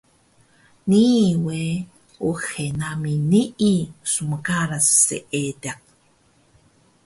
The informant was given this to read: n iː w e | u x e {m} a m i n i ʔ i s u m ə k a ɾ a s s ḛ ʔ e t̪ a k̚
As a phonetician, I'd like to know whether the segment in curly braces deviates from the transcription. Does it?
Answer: yes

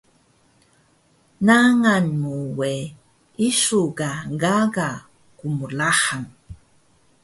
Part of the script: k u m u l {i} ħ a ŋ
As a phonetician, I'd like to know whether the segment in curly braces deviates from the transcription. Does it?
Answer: yes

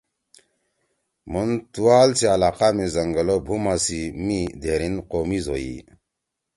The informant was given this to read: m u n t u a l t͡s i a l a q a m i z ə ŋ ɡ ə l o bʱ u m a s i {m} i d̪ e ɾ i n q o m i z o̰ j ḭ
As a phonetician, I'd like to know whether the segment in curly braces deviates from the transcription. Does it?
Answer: no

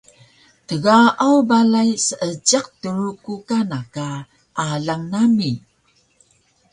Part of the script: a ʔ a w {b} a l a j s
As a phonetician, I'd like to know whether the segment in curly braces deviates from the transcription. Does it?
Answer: no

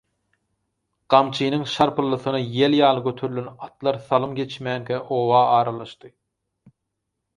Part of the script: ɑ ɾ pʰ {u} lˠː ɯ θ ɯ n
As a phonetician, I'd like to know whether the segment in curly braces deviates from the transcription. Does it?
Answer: yes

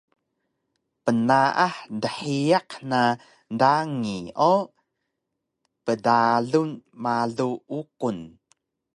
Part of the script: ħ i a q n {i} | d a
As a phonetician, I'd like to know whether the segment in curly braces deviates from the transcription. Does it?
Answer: yes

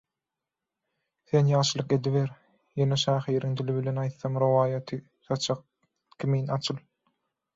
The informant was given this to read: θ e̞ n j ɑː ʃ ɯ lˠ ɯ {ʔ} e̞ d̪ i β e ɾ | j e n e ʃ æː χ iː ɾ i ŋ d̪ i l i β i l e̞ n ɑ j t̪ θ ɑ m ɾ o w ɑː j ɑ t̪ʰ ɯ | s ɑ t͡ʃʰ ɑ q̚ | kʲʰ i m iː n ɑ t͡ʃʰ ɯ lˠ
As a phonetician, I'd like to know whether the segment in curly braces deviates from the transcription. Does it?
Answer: yes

